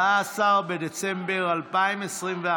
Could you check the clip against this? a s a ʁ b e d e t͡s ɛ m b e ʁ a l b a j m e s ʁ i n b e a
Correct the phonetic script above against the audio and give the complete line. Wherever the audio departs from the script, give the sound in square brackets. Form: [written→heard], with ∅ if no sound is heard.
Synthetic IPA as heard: a s a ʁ b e d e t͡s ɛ m b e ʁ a l [b→p] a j m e s ʁ i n [b→v] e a